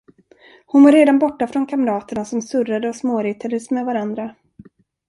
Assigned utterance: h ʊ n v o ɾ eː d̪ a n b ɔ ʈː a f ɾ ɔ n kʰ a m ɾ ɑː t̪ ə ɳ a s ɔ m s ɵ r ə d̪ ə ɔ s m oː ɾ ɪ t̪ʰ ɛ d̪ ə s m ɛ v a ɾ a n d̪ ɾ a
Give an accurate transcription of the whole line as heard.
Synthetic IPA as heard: h ʊ n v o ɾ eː d̪ a n b ɔ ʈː a f ɾ ɔ n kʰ a m ɾ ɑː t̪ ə ɳ a s ɔ m s ɵ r a d̪ ə ɔ s m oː ɾ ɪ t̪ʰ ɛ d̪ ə s m ɛ v a ɾ a n d̪ ɾ a